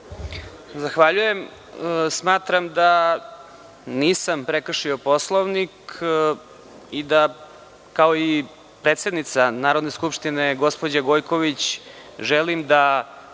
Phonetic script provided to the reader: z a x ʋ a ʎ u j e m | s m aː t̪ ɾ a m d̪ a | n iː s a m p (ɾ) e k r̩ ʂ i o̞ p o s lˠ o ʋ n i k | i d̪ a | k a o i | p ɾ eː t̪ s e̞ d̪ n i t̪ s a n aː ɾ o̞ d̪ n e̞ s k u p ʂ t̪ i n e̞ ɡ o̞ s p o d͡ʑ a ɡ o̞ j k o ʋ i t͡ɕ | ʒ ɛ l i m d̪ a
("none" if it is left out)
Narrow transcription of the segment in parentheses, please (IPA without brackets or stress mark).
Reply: ɾ